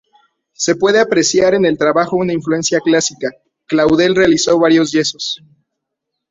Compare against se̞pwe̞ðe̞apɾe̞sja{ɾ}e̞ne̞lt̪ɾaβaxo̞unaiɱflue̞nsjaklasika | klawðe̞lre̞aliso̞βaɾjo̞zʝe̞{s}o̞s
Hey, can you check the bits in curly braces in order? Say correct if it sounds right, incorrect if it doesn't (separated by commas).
correct, correct